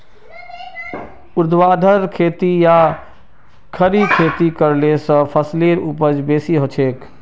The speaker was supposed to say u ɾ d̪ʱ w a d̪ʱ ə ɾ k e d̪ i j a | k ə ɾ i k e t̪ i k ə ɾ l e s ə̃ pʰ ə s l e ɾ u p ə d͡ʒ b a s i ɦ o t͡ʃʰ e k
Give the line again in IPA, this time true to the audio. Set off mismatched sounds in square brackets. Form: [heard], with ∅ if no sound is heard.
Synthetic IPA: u ɾ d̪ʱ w a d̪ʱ ə ɾ [kʰ] e [t̪] i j a | [kʰ] ə ɾ i [kʰ] e t̪ i k ə ɾ l e s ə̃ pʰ ə s l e ɾ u p ə d͡ʒ b [e] s i ɦ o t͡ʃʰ e k